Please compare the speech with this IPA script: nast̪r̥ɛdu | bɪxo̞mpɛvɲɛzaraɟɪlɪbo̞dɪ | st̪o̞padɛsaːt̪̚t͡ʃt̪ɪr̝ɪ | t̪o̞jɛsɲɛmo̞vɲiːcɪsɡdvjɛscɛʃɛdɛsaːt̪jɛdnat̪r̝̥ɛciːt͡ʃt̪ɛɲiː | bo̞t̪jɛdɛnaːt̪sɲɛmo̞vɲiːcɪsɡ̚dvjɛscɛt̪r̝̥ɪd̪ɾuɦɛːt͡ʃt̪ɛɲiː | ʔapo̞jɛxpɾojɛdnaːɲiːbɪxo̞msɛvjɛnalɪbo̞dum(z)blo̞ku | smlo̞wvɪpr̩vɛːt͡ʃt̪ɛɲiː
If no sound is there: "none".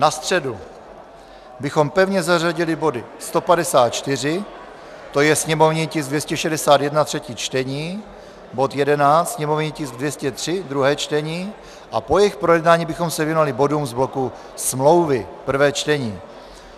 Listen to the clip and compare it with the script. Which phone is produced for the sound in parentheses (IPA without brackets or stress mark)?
z